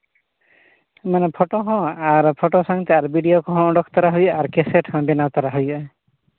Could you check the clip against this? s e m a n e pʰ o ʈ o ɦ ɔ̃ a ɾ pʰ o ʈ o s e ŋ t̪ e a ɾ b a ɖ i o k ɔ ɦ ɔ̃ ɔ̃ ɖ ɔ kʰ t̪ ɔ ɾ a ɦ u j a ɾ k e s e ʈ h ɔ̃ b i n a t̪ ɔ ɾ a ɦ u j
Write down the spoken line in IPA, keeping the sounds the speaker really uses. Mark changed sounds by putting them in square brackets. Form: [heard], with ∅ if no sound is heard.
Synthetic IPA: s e m a n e pʰ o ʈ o ɦ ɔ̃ a ɾ pʰ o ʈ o s [a] ŋ t̪ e a ɾ b [i] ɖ i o k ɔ ɦ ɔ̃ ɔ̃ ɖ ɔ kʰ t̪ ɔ ɾ a ɦ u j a ɾ k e s e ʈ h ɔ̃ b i n a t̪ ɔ ɾ a ɦ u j